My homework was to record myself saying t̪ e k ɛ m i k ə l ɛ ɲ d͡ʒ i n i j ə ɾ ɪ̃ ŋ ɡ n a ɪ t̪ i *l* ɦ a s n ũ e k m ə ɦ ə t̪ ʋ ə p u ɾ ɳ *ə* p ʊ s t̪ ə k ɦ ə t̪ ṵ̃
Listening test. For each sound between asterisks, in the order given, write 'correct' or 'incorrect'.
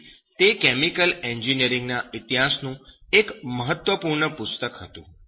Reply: incorrect, correct

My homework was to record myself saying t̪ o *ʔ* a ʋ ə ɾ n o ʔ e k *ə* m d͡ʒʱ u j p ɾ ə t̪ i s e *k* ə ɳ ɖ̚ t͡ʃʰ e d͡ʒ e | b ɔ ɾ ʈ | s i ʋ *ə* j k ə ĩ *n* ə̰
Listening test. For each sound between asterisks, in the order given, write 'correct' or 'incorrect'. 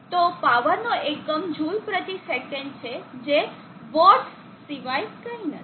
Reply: incorrect, correct, correct, incorrect, correct

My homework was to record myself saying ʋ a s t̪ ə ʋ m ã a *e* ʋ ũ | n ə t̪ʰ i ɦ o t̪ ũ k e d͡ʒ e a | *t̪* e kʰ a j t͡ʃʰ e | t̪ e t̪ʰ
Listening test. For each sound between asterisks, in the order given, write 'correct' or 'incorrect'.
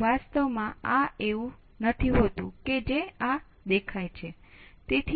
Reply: correct, incorrect

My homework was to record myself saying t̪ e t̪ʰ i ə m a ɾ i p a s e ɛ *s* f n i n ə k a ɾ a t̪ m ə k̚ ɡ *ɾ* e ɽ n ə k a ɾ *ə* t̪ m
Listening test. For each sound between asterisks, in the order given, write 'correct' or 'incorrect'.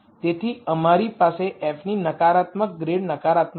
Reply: incorrect, correct, incorrect

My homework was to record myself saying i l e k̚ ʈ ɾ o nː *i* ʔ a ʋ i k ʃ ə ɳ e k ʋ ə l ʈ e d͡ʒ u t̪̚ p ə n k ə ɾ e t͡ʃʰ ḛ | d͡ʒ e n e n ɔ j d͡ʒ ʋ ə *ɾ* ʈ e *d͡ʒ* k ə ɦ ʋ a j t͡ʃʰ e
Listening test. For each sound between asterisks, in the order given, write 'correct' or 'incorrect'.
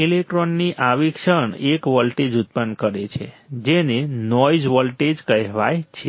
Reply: correct, incorrect, correct

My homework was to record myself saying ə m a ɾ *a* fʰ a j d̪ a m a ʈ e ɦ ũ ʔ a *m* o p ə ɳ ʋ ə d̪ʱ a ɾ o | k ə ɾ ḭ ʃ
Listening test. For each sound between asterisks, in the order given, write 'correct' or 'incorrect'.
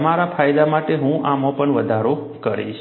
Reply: correct, correct

